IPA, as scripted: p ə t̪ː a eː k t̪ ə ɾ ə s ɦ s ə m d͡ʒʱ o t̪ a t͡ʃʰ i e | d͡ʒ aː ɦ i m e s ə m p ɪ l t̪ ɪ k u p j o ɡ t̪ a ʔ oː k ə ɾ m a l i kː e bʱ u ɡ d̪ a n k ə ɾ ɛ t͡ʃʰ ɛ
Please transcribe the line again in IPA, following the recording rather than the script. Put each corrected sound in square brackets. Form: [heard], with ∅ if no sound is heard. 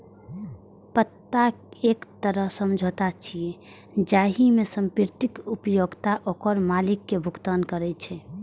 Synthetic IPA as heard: p ə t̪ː a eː k t̪ ə ɾ ə [∅] ɦ s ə m d͡ʒʱ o t̪ a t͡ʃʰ i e | d͡ʒ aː ɦ i m e s ə m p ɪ [ɾ] t̪ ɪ k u p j o ɡ t̪ a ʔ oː k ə ɾ m a l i kː e bʱ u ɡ [t̪] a n k ə ɾ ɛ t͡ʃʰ ɛ